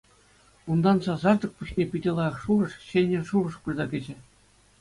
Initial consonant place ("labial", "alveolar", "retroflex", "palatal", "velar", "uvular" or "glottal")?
alveolar